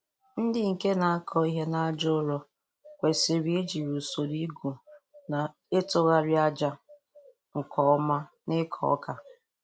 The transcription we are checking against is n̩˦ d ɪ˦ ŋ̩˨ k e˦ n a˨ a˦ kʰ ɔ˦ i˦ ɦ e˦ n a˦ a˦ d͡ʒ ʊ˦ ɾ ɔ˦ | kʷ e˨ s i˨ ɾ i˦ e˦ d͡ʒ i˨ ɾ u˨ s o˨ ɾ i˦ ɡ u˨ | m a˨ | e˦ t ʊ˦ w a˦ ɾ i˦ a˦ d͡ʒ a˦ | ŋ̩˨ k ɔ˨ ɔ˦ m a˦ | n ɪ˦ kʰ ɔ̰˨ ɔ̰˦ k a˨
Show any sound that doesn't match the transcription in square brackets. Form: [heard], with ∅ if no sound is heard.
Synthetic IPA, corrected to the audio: n̩˦ d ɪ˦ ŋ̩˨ k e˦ n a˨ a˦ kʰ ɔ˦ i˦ ɦ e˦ n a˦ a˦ d͡ʒ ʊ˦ ɾ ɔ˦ | kʷ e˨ s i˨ ɾ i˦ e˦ d͡ʒ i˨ ɾ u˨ s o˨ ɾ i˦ ɡ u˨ | [n] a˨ | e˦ t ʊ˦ [ɣ] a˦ ɾ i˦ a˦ d͡ʒ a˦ | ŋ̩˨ k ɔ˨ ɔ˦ m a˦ | n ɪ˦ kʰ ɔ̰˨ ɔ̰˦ k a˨